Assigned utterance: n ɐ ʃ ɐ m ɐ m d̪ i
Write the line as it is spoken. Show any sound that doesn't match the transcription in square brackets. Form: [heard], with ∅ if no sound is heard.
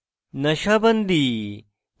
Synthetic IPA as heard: n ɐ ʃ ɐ [b] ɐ [n] d̪ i